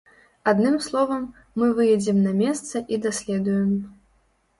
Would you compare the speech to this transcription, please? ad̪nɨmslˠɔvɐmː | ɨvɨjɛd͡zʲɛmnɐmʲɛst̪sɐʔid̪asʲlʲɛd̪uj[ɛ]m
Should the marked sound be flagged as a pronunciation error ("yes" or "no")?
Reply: no